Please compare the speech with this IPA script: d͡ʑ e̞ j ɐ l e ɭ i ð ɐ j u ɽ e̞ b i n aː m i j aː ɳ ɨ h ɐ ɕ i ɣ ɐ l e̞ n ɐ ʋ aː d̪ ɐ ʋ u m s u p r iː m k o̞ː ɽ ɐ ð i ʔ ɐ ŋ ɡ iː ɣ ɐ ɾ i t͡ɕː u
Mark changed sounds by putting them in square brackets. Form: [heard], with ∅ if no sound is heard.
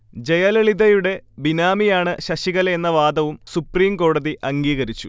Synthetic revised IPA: d͡ʑ e̞ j ɐ l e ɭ i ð ɐ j u ɽ e̞ b i n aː m i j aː ɳ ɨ [ɕ] ɐ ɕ i ɣ ɐ l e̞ [nː] ɐ ʋ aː d̪ ɐ ʋ u m s u p r iː m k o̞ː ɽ ɐ ð i ʔ ɐ ŋ ɡ iː ɣ ɐ ɾ i t͡ɕː u